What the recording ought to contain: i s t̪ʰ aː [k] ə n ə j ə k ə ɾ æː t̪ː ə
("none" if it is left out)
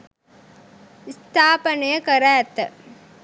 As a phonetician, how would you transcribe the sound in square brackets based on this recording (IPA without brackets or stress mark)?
p